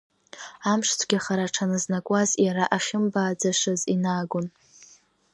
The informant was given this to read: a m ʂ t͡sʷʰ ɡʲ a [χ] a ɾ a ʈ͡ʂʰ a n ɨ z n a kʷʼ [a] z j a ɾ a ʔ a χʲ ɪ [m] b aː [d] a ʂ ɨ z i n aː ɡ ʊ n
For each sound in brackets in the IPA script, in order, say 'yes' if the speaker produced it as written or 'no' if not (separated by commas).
yes, yes, yes, no